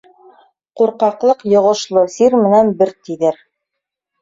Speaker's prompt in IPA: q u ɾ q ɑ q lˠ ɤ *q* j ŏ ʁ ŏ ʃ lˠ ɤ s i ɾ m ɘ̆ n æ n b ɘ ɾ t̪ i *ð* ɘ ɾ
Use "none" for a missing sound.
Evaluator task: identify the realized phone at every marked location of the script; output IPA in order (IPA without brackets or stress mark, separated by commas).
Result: q, ð